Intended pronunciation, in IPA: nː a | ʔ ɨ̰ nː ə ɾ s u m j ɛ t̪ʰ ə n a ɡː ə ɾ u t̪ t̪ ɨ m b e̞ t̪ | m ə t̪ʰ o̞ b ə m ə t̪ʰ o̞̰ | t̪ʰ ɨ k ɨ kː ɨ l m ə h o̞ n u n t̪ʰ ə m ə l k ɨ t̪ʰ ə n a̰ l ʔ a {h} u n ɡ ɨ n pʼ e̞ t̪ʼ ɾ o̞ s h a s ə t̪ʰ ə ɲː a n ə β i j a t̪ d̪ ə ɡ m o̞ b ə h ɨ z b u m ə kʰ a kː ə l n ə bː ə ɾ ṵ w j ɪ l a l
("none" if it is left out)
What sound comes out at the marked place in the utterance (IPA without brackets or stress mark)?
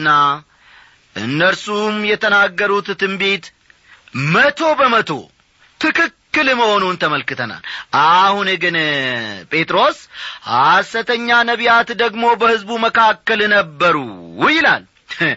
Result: h